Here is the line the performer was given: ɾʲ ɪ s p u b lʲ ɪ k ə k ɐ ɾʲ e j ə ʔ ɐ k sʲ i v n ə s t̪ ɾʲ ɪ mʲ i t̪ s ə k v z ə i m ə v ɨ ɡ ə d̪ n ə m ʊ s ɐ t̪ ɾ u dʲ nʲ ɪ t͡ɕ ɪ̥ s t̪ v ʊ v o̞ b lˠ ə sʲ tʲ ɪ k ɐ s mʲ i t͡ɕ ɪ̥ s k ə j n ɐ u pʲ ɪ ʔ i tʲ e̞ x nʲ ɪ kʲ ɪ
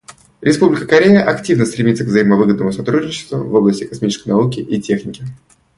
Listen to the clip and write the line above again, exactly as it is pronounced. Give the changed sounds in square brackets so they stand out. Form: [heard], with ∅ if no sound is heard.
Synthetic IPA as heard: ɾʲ ɪ s p u b lʲ ɪ k ə k ɐ ɾʲ e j ə ʔ ɐ k [tʲ] i v n ə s t̪ ɾʲ ɪ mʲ i t̪ s ə k v z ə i m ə v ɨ ɡ ə d̪ n ə m ʊ s ɐ t̪ ɾ u dʲ nʲ ɪ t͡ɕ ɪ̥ s t̪ v ʊ v o̞ b lˠ ə sʲ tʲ ɪ k ɐ s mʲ i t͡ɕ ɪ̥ s k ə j n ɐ u [kʲ] ɪ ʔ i tʲ e̞ x nʲ ɪ kʲ ɪ